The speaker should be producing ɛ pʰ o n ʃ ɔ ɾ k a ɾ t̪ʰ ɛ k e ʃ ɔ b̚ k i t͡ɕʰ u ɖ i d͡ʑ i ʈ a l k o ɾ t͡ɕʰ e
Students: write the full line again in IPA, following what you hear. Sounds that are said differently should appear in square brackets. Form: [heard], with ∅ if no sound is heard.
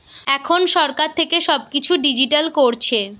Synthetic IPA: ɛ [kʰ] o n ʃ ɔ ɾ k a ɾ t̪ʰ [e] k e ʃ ɔ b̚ k i t͡ɕʰ u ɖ i d͡ʑ i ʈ a l k o ɾ t͡ɕʰ e